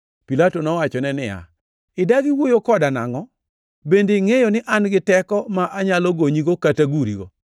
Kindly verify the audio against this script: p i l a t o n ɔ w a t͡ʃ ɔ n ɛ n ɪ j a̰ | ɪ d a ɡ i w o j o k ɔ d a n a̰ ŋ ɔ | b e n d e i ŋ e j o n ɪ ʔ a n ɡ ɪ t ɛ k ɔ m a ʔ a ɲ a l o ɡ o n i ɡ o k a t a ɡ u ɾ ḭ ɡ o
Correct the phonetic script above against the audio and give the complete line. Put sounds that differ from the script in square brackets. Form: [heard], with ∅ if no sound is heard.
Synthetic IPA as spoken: p i l a t o n ɔ w a t͡ʃ ɔ n ɛ n ɪ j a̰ | ɪ d a ɡ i w o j o k ɔ d a n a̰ ŋ ɔ | b e n d e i ŋ e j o n ɪ ʔ a n ɡ ɪ t ɛ k ɔ m a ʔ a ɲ a l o ɡ o [ɲ] i ɡ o k a t a ɡ u ɾ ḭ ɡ o